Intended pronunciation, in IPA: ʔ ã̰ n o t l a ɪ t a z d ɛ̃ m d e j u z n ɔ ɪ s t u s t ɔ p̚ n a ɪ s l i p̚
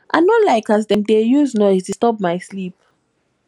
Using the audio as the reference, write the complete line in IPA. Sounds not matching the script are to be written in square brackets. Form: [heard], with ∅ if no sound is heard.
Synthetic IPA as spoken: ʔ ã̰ n [ɔ] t l a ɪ [k] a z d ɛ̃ m d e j u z n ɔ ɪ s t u s t ɔ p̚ [m] a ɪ s l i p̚